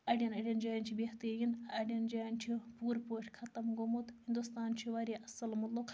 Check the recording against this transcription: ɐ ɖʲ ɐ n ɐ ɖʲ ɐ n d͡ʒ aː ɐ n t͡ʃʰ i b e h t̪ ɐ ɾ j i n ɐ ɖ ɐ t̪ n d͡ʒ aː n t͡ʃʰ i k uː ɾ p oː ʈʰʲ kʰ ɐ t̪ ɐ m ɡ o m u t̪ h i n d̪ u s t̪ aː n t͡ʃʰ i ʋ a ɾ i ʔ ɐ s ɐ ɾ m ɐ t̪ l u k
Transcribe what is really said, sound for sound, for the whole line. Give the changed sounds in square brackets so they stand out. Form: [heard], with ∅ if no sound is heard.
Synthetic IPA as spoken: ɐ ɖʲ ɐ n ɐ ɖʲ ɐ n d͡ʒ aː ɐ n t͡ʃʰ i b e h t̪ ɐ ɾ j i n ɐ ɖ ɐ [∅] n d͡ʒ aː n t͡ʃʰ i [p] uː ɾ p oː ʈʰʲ kʰ ɐ t̪ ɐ m ɡ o m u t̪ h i n d̪ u s t̪ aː n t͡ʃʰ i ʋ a ɾ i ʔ ɐ s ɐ [l] m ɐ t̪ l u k